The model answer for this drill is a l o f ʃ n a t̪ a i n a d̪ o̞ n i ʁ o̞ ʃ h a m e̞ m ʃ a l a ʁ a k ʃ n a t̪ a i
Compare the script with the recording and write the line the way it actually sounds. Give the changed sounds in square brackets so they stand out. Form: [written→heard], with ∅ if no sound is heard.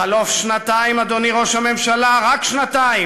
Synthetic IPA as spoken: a l o f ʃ n a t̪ a i [n→m] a d̪ o̞ n i ʁ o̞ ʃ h a m e̞ m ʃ a l a ʁ a k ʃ n a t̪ a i